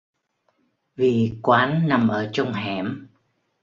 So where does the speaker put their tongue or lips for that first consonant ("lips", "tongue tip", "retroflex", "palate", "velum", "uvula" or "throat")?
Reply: lips